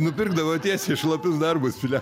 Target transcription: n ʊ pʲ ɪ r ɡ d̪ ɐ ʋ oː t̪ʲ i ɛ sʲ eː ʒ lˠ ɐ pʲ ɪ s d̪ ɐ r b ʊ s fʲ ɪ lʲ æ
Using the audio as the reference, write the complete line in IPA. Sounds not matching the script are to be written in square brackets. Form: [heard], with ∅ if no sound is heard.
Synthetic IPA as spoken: n ʊ pʲ ɪ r ɡ d̪ ɐ ʋ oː t̪ʲ i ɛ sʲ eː [ʃ] lˠ ɐ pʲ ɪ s d̪ ɐ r b ʊ s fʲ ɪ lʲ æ